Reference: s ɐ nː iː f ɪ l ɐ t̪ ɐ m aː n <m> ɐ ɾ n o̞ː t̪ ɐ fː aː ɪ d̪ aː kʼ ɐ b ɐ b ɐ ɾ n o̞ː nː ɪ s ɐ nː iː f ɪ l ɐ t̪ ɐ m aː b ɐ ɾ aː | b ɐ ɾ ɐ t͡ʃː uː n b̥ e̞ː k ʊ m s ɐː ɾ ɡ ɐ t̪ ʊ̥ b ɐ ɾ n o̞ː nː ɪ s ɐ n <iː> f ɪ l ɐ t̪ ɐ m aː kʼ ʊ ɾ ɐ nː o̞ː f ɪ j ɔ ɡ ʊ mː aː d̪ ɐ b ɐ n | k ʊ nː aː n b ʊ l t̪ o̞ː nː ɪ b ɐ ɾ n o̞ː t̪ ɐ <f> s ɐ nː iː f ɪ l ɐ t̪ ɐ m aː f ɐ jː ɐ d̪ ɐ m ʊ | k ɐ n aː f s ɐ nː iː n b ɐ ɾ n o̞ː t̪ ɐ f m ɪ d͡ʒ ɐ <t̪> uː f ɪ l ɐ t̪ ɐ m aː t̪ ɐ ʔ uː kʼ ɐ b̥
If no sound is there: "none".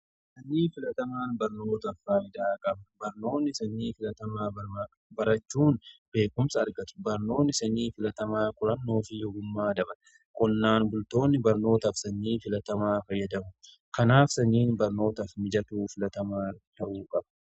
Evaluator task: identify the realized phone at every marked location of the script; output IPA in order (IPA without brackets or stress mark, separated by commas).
b, iː, f, t̪